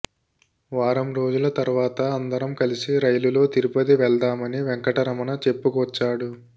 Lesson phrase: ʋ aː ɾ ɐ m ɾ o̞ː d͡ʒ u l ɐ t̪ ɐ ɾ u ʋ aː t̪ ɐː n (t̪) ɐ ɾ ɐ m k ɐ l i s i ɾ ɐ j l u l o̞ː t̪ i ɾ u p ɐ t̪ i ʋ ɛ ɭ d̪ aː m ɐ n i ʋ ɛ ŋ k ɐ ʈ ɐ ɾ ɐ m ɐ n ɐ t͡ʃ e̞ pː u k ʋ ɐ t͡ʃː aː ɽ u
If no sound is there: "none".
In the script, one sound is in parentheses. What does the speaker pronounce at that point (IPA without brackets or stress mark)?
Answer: d̪